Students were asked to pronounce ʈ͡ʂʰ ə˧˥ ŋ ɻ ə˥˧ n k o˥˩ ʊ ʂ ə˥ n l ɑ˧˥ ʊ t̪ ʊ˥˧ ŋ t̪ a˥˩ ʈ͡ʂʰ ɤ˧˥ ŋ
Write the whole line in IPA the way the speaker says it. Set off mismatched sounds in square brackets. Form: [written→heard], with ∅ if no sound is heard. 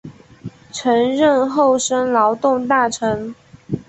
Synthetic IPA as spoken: ʈ͡ʂʰ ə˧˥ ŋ ɻ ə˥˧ n [k→x] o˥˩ ʊ ʂ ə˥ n l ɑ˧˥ ʊ t̪ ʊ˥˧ ŋ t̪ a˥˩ ʈ͡ʂʰ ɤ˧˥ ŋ